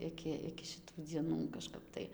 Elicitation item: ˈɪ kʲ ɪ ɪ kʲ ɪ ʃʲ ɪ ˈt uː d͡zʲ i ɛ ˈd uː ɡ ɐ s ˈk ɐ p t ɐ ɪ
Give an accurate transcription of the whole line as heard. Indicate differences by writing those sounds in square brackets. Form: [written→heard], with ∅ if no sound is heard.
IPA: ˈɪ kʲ ɪ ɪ kʲ ɪ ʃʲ ɪ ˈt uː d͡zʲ i ɛ [ˈd→ˈn] uː [ɡ→k] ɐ [s→ʃ] ˈk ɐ p t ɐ ɪ